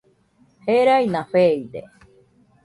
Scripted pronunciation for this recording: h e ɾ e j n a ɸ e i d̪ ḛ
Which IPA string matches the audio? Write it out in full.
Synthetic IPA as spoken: h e ɾ a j n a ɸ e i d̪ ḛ

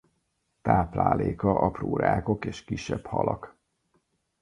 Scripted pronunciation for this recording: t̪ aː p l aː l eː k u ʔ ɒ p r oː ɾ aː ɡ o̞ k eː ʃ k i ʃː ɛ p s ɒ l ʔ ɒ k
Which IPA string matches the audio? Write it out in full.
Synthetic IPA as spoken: t̪ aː p l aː l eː k ɒ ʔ ɒ p r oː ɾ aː k o̞ k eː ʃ k i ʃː ɛ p h ɒ l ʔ ɒ k

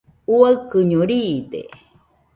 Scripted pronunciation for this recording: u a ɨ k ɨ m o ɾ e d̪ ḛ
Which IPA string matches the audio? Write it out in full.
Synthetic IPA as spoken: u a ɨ k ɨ ɲ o ɾ i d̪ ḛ

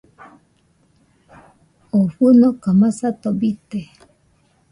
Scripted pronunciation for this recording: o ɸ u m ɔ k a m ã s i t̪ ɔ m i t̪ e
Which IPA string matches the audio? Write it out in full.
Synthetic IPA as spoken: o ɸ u n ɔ k a m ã s a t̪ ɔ b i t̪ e

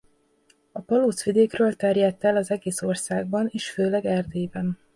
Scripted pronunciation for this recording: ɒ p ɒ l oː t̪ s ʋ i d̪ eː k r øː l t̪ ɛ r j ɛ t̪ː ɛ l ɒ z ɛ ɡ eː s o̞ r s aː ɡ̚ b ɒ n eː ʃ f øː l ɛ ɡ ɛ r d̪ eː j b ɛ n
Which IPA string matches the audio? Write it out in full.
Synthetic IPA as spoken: ɒ p ɒ l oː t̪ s ʋ i d̪ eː k r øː l t̪ ɛ r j ɛ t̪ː ɛ l ɒ z ɛ ɡ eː s o̞ r s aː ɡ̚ b ɒ n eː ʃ f øː l ɛ ɡ ɛ r d̪ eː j b ɛ n

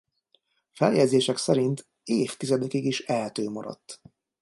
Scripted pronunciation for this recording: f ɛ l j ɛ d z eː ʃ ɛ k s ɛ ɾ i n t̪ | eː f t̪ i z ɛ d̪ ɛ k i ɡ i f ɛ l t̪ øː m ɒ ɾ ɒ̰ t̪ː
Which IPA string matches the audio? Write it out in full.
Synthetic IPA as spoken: f ɛ l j ɛ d z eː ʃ ɛ k s ɛ ɾ i n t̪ | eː f t̪ i z ɛ d̪ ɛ k i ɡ i ʃ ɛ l t̪ øː m ɒ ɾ ɒ̰ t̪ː

